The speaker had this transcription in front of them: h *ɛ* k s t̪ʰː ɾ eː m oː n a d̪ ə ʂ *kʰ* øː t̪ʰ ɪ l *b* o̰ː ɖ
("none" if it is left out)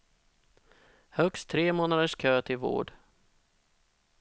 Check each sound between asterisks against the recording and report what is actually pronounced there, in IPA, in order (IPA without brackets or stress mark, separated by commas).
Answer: œ, kʰ, v